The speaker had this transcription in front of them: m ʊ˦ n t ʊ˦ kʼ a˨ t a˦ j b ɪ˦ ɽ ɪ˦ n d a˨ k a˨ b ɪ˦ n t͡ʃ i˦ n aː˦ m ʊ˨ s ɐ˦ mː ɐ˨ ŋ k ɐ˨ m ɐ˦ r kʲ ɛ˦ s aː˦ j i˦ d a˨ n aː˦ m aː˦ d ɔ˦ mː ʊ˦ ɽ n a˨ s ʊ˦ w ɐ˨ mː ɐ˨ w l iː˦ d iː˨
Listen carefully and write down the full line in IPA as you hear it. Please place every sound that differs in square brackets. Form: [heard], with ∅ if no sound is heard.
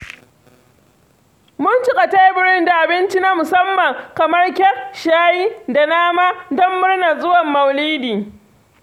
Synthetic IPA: m ʊ˦ n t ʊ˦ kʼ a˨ t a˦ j b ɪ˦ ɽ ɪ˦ n d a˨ [ʔ] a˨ b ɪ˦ n t͡ʃ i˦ n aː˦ m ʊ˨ s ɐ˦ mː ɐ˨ ŋ k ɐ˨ m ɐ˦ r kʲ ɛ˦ [ʃ] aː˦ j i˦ d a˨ n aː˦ m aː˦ d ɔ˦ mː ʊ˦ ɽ n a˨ [z] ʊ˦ w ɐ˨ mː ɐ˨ w l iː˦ d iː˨